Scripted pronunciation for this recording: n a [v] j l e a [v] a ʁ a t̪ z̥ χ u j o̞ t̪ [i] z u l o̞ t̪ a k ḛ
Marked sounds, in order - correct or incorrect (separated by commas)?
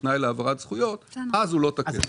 incorrect, correct, incorrect